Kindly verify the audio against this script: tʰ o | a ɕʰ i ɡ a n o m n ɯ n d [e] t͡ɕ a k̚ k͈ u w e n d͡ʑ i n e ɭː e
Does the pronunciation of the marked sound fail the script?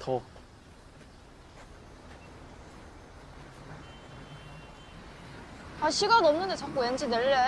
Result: no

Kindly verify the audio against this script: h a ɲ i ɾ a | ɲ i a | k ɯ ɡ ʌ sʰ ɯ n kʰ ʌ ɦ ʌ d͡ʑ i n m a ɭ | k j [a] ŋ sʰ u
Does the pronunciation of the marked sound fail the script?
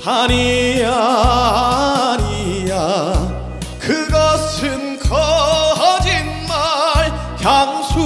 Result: no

